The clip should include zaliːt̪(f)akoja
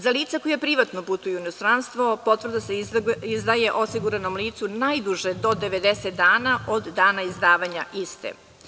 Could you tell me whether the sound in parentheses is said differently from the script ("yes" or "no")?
yes